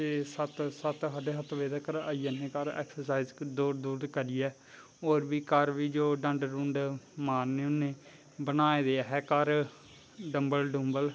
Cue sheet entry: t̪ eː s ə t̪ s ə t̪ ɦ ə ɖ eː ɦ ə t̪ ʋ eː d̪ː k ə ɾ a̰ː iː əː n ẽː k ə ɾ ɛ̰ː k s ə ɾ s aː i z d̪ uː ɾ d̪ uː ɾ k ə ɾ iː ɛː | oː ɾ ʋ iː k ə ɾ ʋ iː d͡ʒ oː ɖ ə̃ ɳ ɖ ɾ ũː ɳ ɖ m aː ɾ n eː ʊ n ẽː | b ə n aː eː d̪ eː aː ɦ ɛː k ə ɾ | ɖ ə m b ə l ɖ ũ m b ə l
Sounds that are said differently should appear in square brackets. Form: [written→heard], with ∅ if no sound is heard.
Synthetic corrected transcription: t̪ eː s ə t̪ s ə t̪ ɦ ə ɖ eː ɦ ə t̪ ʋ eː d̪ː k ə ɾ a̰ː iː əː n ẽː k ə ɾ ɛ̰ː k s ə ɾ s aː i z d̪ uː ɾ d̪ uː ɾ k ə ɾ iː ɛː | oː ɾ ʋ iː k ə ɾ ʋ iː d͡ʒ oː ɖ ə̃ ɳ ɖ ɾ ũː ɳ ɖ m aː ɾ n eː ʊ n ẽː | b ə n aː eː d̪ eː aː ɦ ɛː k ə ɾ | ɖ ə m b ə l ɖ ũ m b ə l